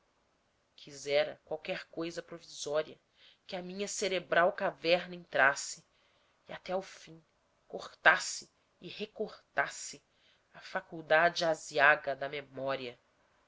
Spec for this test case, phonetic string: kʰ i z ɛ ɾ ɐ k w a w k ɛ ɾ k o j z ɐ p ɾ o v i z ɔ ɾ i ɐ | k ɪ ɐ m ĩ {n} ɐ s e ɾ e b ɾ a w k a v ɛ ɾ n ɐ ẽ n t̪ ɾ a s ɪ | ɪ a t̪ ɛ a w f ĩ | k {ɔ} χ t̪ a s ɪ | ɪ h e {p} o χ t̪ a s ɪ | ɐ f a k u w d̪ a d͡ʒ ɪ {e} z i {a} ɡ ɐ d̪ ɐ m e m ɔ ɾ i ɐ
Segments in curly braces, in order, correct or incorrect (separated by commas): incorrect, incorrect, incorrect, incorrect, correct